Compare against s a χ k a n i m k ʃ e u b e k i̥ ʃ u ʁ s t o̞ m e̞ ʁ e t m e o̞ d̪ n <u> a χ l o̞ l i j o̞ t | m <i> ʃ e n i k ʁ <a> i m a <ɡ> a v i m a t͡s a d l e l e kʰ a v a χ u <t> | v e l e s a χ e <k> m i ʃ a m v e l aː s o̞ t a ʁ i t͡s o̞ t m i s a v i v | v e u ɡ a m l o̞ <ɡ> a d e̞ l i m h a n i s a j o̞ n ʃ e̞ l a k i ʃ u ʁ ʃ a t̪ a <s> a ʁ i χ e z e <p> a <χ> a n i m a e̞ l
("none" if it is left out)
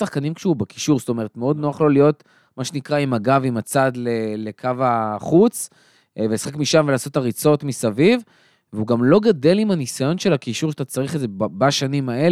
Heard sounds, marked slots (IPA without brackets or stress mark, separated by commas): o, a, a, ɡ, t͡s, k, ɡ, t͡s, b, ʃ